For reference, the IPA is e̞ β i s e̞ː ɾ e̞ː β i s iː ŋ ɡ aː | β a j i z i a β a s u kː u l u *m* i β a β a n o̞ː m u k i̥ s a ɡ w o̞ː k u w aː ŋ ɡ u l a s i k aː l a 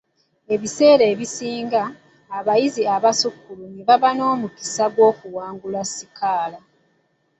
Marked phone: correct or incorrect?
incorrect: n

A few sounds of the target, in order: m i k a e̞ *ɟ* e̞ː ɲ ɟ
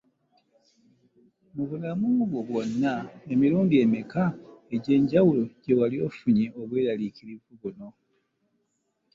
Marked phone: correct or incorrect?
correct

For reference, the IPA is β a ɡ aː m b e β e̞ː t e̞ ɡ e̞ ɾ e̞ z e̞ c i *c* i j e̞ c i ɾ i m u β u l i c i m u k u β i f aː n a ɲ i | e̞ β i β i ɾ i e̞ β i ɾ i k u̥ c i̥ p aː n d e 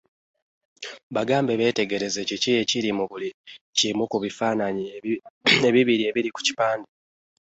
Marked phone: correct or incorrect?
correct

